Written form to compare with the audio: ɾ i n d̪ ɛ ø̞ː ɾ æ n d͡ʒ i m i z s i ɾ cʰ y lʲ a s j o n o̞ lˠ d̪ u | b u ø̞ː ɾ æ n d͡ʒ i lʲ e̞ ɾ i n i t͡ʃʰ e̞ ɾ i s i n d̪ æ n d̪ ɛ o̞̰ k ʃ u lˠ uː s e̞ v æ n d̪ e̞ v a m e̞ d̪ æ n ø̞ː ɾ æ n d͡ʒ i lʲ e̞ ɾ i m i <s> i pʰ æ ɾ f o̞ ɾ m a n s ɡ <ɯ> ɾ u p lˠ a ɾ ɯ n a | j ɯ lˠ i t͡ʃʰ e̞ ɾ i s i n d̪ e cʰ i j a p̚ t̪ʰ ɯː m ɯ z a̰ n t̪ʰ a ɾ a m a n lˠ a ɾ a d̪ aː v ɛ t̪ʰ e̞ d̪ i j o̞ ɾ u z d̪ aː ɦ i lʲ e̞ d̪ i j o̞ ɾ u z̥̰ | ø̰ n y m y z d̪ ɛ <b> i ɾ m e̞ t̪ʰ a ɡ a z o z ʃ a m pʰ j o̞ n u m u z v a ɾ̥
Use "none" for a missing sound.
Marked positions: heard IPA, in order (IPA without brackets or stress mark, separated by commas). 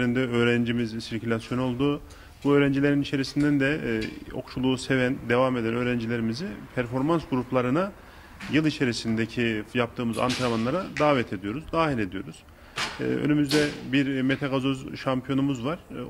z, u, b